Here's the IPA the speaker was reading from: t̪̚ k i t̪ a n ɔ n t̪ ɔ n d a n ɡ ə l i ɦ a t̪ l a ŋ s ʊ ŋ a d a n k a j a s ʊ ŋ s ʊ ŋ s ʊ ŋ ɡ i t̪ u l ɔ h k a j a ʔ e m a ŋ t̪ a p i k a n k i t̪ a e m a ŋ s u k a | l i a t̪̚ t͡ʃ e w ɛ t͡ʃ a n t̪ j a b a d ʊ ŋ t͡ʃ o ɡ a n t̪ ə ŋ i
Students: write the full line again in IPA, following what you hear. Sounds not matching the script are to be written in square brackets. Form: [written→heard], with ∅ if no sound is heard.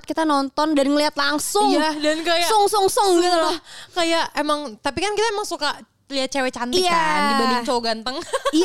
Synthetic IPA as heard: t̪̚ k i t̪ a n ɔ n t̪ ɔ n d a n [ɡ→ŋ] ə l i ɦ a t̪ l a ŋ s ʊ ŋ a d a n k a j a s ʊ ŋ s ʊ ŋ s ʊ ŋ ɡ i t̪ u l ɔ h k a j a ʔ e m a ŋ t̪ a p i k a n k i t̪ a e m a ŋ s u k a | l i a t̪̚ t͡ʃ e w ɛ t͡ʃ a n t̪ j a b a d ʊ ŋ t͡ʃ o ɡ a n t̪ ə ŋ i